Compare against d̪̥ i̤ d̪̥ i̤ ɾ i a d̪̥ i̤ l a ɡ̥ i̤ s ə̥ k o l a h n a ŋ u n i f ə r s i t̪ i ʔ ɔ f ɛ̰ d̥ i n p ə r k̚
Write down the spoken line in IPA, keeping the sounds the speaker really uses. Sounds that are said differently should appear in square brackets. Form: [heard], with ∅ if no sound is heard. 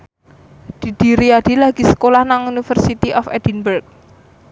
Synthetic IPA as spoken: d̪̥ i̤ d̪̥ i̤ ɾ i a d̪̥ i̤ l a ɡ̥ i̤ s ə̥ k o l a h n a ŋ u n i f ə r s i t̪ i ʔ ɔ f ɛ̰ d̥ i n [b] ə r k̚